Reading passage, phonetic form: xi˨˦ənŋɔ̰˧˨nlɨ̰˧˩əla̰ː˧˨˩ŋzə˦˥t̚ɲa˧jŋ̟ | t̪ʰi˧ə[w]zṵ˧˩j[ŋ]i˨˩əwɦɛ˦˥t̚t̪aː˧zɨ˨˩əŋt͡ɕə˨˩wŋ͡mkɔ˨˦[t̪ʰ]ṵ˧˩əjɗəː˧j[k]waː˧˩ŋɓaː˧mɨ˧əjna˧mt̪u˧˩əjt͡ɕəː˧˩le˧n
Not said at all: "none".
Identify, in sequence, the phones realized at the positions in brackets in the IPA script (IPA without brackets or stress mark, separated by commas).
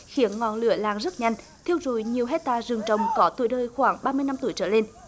w, ɲ, t̪, x